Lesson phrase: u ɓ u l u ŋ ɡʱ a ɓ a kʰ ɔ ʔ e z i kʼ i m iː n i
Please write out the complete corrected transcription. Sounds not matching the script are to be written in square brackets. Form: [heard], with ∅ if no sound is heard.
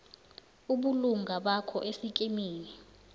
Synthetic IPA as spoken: u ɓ u l u ŋ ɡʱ a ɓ a kʰ ɔ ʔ e [s] i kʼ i m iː n i